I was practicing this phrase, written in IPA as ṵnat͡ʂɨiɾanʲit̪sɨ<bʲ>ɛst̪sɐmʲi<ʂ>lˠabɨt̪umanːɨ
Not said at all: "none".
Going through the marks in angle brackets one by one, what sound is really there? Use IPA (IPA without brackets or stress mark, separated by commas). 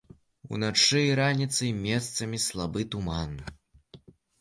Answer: mʲ, s